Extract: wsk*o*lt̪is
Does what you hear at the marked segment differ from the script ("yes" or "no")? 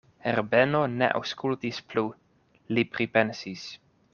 yes